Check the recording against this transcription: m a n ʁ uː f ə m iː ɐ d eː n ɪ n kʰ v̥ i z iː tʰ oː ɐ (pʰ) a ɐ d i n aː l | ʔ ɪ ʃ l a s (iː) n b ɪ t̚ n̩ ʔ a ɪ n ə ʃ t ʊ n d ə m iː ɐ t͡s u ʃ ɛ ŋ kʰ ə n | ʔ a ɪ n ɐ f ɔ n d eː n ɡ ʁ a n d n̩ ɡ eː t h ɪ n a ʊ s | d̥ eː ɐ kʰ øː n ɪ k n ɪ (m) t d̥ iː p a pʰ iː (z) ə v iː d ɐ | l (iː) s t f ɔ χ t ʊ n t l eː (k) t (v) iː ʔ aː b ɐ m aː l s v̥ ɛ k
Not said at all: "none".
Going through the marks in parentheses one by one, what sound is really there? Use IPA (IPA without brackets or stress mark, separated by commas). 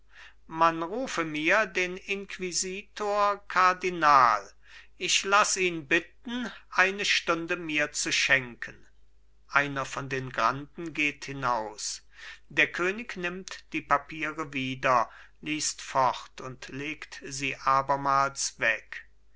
kʰ, iː, m, ʁ, iː, k, z